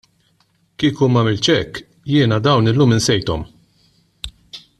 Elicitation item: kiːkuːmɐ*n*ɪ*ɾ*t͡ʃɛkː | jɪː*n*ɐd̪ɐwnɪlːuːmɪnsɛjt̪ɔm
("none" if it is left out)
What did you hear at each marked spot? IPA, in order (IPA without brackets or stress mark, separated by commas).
m, l, n